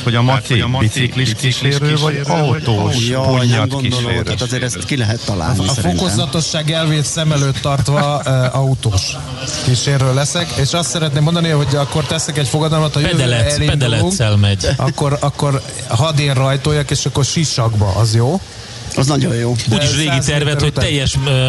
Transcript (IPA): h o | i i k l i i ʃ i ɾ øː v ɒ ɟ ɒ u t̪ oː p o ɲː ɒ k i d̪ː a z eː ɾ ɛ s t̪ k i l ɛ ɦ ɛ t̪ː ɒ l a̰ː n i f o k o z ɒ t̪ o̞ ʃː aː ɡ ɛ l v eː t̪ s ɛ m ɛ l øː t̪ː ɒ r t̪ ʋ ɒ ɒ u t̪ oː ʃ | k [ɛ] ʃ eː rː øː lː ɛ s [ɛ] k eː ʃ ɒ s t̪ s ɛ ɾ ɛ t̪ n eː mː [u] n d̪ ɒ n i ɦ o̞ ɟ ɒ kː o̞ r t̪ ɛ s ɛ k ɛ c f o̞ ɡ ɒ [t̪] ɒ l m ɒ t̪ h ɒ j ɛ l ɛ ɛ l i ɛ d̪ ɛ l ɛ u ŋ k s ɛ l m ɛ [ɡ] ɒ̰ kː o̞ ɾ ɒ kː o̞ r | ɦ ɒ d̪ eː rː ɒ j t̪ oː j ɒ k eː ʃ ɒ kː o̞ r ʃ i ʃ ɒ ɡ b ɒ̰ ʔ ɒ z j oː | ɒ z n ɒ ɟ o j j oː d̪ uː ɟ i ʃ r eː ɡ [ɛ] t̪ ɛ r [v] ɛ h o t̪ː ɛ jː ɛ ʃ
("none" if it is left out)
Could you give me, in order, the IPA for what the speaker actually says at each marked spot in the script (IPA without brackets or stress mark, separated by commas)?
i, ɛ, o, d̪, ɟ, i, v